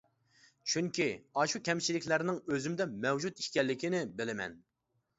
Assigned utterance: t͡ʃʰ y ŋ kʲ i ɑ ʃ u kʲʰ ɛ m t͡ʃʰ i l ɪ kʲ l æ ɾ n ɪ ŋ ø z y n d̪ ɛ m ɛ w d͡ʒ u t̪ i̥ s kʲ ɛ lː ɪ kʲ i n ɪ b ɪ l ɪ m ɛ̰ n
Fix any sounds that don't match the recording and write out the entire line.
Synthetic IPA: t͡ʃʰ y ŋ kʲ i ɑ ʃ u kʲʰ ɛ m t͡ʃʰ i l ɪ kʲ l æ ɾ n ɪ ŋ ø z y m d̪ ɛ m ɛ w d͡ʒ u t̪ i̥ ʃ kʲ ɛ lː ɪ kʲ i n ɪ b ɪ l ɪ m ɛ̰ n